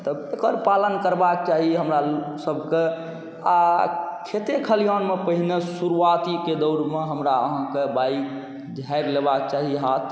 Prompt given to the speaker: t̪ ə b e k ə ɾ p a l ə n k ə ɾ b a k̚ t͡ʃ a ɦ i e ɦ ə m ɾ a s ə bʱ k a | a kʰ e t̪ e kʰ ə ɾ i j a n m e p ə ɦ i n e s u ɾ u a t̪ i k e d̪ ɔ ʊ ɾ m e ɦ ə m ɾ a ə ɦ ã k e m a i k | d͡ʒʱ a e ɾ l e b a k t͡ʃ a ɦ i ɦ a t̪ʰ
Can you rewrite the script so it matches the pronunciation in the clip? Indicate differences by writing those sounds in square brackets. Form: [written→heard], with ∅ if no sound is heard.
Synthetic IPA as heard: t̪ ə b e k ə ɾ p a l ə n k ə ɾ b a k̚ t͡ʃ a ɦ i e ɦ ə m ɾ a s ə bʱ k [a→e] | a kʰ e t̪ e kʰ ə [ɾ→l] i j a n m e p ə ɦ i n e s u ɾ u a t̪ i k e d̪ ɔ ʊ ɾ m e ɦ ə m ɾ a ə ɦ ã k e [m→b] a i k | d͡ʒʱ a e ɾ l e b a k t͡ʃ a ɦ i ɦ a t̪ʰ